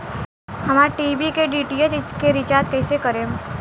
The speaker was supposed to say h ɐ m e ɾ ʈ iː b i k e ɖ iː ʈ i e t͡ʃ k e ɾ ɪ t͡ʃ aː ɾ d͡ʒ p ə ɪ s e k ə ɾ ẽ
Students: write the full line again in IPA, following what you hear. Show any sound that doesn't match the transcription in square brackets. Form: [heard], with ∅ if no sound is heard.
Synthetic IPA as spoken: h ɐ m [a] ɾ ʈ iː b i k e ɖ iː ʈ i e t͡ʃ k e ɾ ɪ t͡ʃ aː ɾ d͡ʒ [k] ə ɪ s e k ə ɾ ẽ